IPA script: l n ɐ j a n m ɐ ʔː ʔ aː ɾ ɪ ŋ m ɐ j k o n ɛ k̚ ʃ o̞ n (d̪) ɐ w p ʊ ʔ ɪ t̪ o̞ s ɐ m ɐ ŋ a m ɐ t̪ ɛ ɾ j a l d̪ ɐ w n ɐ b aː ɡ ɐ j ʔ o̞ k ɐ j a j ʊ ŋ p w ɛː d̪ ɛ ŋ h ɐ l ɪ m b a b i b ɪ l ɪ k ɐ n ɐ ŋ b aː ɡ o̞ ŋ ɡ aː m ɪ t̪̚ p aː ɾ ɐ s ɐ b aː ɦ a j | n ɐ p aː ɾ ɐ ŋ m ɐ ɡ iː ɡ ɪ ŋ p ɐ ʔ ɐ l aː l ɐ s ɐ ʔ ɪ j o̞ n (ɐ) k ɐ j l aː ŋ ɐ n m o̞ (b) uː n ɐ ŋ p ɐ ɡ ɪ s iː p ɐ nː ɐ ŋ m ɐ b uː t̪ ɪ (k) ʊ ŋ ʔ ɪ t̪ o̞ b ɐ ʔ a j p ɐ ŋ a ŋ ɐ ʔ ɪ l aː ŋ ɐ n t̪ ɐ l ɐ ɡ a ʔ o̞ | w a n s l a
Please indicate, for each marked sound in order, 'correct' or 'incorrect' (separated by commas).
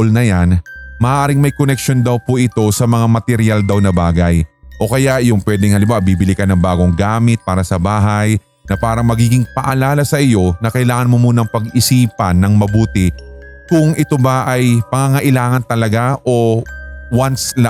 correct, correct, incorrect, correct